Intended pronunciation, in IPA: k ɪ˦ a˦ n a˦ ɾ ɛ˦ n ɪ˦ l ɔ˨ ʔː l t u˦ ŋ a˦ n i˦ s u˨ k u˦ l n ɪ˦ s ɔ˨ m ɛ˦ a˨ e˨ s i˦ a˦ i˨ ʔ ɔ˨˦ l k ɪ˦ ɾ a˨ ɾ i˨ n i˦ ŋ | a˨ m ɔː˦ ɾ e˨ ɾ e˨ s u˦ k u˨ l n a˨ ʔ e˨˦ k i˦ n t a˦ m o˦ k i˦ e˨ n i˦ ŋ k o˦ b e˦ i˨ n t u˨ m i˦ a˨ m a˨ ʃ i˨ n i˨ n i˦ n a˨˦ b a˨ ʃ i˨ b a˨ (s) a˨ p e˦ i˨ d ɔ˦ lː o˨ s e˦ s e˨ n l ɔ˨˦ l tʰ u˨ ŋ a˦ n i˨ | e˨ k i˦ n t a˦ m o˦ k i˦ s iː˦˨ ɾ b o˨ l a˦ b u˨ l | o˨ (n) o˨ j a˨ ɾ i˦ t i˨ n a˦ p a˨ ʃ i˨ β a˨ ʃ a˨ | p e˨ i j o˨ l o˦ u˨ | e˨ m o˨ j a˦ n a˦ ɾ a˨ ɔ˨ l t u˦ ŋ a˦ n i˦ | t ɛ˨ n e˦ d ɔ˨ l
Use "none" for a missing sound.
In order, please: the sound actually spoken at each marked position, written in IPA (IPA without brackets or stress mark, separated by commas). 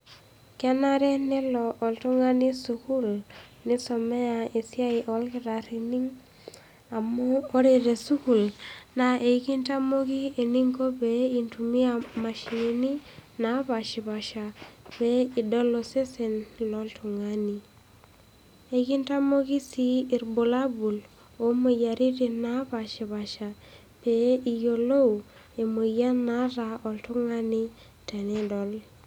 ʃ, m